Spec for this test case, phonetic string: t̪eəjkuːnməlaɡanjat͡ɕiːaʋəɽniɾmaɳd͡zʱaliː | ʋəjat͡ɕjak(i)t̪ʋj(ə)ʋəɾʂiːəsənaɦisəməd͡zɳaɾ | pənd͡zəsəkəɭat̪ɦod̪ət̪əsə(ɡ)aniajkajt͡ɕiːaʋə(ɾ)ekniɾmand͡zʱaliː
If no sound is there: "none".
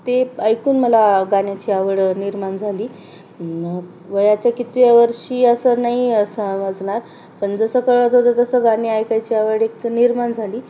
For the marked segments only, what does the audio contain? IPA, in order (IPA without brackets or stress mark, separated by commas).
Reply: i, a, ɡ, ɽ